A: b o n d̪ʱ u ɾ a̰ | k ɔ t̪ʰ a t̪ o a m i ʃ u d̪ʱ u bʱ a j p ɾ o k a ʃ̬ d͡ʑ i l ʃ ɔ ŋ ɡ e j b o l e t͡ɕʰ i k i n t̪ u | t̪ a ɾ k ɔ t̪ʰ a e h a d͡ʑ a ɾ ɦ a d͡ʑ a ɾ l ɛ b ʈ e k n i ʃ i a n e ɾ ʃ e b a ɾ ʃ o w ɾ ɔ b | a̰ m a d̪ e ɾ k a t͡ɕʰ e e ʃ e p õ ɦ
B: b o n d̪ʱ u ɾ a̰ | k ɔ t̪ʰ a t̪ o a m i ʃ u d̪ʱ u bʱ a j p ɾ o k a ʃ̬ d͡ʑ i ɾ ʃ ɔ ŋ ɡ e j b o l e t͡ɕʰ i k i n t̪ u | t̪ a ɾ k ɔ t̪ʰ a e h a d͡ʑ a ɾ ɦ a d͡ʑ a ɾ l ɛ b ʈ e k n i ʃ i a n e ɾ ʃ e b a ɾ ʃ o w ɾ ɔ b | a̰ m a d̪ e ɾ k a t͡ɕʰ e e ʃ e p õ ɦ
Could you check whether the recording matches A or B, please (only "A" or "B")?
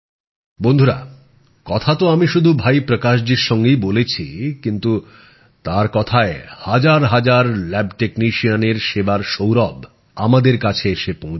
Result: B